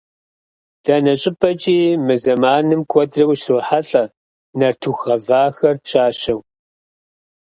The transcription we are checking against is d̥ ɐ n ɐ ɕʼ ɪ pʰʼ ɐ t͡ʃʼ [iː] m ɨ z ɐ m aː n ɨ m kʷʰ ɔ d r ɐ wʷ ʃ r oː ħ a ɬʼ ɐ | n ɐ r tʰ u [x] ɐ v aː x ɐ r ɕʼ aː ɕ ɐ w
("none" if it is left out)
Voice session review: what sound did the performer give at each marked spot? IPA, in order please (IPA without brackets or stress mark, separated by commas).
iː, x